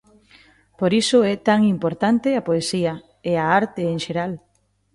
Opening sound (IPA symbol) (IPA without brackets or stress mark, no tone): p